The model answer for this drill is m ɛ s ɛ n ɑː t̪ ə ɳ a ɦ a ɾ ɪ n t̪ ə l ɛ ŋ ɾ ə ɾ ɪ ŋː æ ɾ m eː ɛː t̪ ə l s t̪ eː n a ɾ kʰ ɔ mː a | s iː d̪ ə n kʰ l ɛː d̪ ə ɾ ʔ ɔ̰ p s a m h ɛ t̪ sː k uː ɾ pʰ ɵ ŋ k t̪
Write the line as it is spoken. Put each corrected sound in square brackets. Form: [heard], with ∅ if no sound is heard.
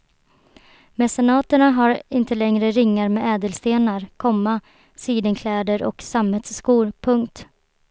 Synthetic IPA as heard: m ɛ s ɛ n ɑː t̪ ə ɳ a ɦ a ɾ ɪ n t̪ ə l ɛ ŋ ɾ ə ɾ ɪ ŋː [a] ɾ m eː ɛː [d̪] ə l s t̪ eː n a ɾ kʰ ɔ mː a | s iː d̪ ə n kʰ l ɛː d̪ ə ɾ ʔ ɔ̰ [k] s a m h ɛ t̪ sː k uː ɾ pʰ ɵ ŋ k t̪